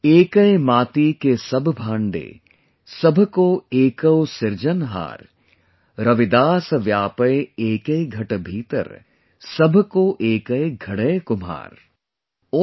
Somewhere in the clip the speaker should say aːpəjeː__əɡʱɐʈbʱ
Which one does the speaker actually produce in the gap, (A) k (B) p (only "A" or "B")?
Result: A